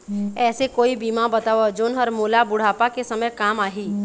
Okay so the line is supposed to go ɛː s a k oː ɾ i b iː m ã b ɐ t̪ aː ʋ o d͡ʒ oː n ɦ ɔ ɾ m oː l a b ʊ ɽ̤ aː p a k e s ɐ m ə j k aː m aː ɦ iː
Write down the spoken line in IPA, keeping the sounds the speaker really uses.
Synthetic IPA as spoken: ɛː s e k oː i b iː m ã b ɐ t̪ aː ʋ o d͡ʒ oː n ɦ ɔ ɾ m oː l a b ʊ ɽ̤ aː p a k e s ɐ m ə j k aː m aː ɦ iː

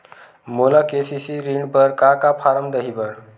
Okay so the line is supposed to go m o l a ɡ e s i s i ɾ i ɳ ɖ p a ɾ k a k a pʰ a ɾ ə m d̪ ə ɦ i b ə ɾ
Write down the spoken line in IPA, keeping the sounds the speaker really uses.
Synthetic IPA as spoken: m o l a k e s i s i ɾ i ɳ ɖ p ə ɾ k a k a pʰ a ɾ ə m d̪ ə ɦ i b ə ɾ

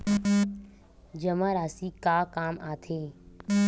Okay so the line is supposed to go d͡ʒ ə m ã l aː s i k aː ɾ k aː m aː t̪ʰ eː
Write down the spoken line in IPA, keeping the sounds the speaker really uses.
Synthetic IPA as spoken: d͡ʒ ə m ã ɾ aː s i k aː k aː m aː t̪ʰ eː

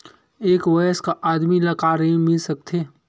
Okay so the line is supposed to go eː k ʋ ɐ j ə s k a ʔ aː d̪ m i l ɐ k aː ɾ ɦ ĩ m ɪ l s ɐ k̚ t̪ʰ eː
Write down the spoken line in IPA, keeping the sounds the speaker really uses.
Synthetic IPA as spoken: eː k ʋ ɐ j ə s k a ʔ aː d̪ m i l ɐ k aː ɾ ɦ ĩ m ɪ l s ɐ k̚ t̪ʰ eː

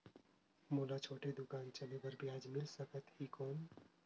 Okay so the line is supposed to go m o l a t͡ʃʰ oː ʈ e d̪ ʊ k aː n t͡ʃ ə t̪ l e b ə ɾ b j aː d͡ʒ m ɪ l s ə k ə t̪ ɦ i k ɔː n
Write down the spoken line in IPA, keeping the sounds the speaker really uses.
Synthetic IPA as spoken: m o l a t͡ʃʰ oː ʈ e d̪ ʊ k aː n t͡ʃ ə l e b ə ɾ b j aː d͡ʒ m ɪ l s ə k ə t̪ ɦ i k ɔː n

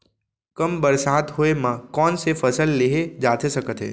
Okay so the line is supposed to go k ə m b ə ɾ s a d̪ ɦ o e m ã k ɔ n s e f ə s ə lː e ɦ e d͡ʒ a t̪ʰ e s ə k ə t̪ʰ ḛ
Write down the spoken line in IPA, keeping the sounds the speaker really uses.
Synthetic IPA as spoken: k ə m b ə ɾ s a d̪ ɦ o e m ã k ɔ n s e f ə s ə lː e ɦ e d͡ʒ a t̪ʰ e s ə k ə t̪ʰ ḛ

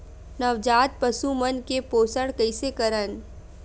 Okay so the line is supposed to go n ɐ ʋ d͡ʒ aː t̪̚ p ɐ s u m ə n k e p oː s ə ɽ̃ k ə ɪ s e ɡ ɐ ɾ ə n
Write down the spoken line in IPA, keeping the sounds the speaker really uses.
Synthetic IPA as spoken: n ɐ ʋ d͡ʒ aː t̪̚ p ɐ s u m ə n k e p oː s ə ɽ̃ k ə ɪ s e k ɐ ɾ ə n

